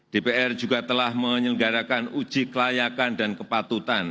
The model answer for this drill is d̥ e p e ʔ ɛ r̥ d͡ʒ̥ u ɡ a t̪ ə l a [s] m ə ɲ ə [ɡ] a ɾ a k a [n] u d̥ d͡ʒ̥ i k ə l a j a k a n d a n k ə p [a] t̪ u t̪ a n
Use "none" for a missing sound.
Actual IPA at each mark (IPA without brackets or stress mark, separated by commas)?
h, ɡ, n, a